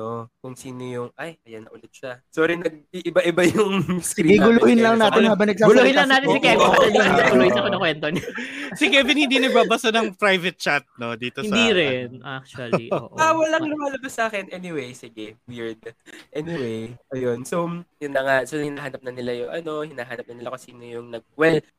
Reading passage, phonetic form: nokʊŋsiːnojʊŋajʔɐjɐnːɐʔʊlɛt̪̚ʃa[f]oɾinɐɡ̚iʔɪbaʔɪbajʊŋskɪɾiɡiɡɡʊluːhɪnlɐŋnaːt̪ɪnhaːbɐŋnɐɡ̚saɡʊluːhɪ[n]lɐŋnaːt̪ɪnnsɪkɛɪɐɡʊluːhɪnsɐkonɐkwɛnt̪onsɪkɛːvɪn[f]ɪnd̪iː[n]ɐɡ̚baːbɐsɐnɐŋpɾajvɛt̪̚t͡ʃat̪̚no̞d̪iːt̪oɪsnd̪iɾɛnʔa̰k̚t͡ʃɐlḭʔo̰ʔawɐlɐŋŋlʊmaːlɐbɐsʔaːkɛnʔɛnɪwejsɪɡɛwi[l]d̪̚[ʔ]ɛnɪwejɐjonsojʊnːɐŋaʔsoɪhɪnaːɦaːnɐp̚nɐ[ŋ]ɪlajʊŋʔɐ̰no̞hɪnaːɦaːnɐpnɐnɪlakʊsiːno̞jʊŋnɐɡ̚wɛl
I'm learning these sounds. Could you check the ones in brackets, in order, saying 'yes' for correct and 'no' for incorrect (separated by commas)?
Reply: no, yes, no, yes, no, yes, no